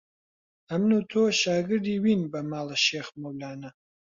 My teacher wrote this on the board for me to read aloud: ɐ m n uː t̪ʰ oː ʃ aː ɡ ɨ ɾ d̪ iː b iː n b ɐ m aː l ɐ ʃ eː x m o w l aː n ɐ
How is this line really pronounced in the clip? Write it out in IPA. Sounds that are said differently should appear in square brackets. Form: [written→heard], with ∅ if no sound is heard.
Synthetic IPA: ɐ m n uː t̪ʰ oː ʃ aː ɡ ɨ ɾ d̪ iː [b→w] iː n b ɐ m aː l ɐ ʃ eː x m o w l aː n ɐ